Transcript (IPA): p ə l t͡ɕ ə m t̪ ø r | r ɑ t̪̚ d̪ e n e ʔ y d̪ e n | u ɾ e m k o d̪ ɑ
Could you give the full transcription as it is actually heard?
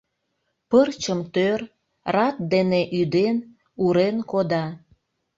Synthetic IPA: p ə r t͡ɕ ə m t̪ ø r | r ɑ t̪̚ d̪ e n e ʔ y d̪ e n | u ɾ e n k o d̪ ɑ